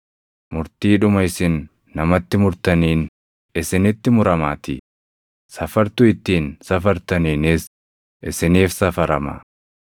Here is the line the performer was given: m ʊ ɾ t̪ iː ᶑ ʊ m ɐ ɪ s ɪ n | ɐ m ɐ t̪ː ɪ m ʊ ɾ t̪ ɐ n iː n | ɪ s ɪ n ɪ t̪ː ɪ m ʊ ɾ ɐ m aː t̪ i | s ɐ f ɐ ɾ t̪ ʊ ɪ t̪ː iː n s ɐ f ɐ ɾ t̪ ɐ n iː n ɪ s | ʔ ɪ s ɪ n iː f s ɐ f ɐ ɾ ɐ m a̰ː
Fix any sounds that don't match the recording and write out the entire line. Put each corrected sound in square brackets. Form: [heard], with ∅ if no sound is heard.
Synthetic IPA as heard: m ʊ ɾ t̪ iː ᶑ ʊ m ɐ ɪ s ɪ [nː] | ɐ m ɐ t̪ː ɪ m ʊ ɾ t̪ ɐ n iː n | ɪ s ɪ n ɪ t̪ː ɪ m ʊ ɾ ɐ m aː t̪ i | s ɐ f ɐ ɾ t̪ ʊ ɪ t̪ː iː n s ɐ f ɐ ɾ t̪ ɐ n iː n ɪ s | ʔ ɪ s ɪ n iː f s ɐ f ɐ ɾ ɐ m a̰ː